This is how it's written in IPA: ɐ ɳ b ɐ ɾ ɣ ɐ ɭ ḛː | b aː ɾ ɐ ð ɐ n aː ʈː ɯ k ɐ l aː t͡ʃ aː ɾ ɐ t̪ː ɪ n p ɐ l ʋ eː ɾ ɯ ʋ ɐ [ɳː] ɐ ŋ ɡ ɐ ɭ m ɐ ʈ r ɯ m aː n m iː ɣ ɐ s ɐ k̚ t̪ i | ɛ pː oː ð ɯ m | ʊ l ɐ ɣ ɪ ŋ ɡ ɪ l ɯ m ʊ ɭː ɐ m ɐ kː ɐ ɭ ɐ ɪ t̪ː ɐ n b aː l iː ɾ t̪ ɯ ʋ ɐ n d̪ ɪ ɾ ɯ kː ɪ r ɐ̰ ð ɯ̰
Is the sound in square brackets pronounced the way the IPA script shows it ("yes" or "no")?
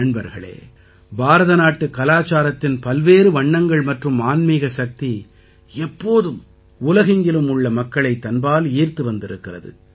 yes